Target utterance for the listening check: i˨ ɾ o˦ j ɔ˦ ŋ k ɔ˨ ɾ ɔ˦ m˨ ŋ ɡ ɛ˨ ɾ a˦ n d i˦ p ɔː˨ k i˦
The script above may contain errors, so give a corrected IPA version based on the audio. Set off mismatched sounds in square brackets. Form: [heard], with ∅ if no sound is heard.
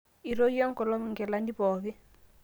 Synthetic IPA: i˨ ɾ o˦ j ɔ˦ ŋ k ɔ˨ [l] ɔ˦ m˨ ŋ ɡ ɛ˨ [l] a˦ n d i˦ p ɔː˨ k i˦